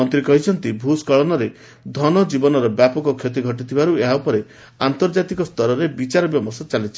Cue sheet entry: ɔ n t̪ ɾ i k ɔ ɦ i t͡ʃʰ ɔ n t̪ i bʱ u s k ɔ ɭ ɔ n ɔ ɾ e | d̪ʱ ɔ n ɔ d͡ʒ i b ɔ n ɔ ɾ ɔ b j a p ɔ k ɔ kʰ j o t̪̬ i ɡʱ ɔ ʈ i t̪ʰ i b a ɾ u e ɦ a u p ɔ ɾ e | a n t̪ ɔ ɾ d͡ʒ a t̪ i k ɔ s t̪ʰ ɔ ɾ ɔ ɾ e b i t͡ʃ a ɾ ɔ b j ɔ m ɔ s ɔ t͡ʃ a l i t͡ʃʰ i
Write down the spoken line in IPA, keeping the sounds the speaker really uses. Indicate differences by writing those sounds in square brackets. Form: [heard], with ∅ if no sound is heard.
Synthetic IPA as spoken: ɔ n t̪ ɾ i k ɔ ɦ i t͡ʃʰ ɔ n t̪ i bʱ u s k ɔ ɭ ɔ n ɔ ɾ e | d̪ʱ ɔ n ɔ d͡ʒ i b ɔ n ɔ ɾ ɔ b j a p ɔ k ɔ kʰ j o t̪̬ i ɡʱ ɔ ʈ i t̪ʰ i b a ɾ u e ɦ a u p ɔ ɾ e | a n t̪ ɔ ɾ d͡ʒ a t̪ i k ɔ s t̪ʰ ɔ ɾ ɔ ɾ e b i t͡ʃ a ɾ ɔ b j ɔ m ɔ s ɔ t͡ʃ a l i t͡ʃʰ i